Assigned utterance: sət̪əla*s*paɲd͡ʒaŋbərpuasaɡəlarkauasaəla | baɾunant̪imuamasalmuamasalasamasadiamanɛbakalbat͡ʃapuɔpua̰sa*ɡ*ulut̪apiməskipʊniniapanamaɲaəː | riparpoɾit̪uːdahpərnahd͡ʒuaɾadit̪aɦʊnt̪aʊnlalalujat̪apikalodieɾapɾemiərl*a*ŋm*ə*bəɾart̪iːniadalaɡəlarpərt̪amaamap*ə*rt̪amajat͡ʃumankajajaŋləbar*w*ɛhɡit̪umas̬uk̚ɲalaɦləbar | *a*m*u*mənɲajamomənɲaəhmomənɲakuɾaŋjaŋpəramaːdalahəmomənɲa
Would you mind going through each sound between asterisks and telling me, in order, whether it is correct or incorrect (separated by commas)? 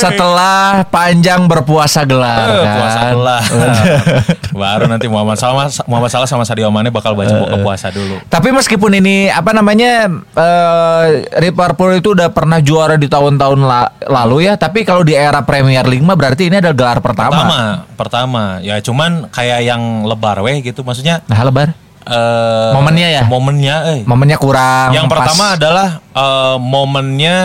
incorrect, incorrect, incorrect, incorrect, correct, correct, incorrect, incorrect